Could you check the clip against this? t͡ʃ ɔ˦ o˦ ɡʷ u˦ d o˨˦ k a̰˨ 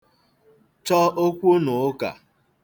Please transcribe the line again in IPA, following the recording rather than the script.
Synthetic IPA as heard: t͡ʃ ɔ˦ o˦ kʷ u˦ n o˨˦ k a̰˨